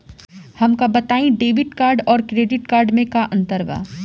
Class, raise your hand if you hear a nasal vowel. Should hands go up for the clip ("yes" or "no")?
yes